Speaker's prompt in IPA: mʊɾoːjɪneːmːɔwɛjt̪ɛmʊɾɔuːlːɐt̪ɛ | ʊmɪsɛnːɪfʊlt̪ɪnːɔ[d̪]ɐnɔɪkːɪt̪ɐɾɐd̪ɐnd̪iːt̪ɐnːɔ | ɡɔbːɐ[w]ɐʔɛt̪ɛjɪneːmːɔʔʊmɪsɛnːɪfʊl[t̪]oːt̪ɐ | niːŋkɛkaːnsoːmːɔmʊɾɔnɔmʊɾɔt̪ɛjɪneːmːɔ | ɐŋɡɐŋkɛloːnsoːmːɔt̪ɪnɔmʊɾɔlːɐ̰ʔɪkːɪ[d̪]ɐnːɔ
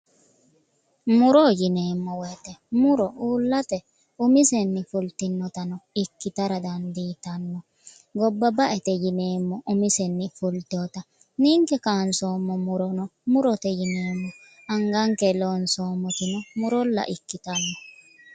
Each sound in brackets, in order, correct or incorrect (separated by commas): incorrect, incorrect, correct, incorrect